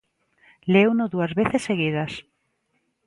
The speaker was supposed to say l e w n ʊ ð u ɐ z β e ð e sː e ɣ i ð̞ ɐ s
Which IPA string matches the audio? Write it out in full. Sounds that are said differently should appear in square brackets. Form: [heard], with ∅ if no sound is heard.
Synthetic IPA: l e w n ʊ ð u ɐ z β e [θ] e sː e ɣ i ð̞ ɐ s

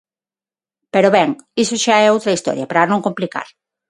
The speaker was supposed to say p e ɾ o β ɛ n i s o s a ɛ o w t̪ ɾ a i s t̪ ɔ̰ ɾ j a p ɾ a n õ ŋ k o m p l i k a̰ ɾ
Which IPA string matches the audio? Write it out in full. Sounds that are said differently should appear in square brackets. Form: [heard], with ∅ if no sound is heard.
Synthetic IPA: p e ɾ o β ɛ [ŋ] i s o [ʃ] a ɛ o w t̪ ɾ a i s t̪ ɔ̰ ɾ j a p ɾ a n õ ŋ k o m p l i k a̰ ɾ

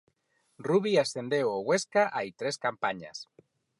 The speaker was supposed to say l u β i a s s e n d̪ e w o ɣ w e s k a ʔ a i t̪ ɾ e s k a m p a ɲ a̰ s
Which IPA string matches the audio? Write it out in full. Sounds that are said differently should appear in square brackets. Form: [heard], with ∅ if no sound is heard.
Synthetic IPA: [r] u β i a s [θ] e n d̪ e w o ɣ w e s k a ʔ a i t̪ ɾ e s k a m p a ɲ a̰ s

